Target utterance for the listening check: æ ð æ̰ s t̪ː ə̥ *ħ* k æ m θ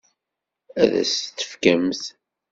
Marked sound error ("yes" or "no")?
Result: yes